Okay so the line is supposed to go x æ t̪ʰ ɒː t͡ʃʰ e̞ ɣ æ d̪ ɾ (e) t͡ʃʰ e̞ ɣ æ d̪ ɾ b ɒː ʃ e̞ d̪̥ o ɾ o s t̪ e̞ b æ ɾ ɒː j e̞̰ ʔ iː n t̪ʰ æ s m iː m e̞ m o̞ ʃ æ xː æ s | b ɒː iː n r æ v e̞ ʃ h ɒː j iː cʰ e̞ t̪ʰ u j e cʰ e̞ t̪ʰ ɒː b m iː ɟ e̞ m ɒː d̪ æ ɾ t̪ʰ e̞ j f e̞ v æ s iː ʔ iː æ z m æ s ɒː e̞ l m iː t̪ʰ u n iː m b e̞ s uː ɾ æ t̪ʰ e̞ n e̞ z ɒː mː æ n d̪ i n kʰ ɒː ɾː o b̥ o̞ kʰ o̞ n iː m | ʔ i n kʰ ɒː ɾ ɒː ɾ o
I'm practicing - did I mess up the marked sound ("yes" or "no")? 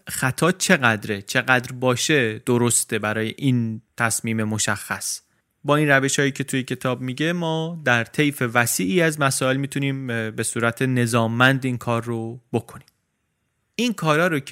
no